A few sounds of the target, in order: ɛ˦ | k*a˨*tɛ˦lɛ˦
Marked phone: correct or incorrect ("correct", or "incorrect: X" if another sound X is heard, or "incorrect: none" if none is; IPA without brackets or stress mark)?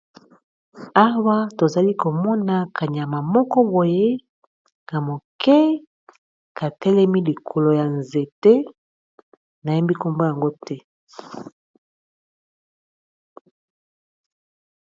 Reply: correct